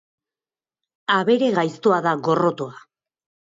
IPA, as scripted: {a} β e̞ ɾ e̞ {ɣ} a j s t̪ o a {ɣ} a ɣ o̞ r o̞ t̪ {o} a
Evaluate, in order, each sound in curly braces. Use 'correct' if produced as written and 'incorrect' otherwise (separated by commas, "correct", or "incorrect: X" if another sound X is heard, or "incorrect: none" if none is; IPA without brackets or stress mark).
correct, correct, incorrect: ð, correct